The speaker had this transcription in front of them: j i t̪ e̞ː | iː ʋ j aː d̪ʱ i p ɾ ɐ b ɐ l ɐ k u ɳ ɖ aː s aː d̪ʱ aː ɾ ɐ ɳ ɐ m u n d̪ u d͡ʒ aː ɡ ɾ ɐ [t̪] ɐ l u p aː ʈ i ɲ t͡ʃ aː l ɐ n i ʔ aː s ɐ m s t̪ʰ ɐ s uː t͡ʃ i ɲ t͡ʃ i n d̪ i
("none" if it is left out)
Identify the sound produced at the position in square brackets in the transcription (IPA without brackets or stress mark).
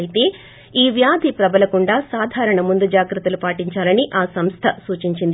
t̪